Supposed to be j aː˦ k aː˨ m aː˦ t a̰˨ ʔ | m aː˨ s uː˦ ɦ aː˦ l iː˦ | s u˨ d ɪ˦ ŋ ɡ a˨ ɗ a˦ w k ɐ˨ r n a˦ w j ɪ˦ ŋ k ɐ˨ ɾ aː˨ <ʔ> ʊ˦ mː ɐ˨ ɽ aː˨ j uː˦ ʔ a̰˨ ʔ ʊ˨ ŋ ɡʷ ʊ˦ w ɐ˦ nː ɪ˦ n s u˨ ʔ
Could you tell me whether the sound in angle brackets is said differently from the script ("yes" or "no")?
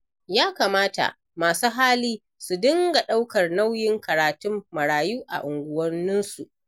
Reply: yes